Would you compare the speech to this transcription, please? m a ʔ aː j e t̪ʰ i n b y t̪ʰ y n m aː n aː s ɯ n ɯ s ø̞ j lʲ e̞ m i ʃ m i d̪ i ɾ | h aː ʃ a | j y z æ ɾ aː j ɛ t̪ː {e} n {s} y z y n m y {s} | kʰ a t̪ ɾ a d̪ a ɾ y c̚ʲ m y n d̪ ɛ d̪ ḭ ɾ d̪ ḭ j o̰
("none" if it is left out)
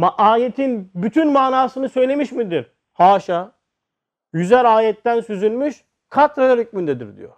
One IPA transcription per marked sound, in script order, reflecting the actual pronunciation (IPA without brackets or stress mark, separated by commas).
æ, s, ʃ